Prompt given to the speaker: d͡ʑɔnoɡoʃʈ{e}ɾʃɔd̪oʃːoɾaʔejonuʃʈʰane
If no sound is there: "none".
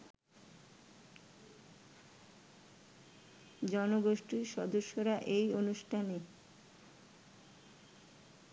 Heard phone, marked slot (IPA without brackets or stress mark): i